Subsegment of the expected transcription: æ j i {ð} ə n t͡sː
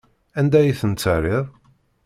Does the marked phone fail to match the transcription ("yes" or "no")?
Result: yes